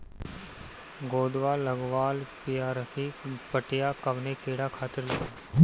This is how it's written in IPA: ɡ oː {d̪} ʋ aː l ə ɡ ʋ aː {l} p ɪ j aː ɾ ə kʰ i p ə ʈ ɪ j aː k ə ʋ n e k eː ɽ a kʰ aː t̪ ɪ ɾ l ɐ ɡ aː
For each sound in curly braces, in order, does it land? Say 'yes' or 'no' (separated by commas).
yes, yes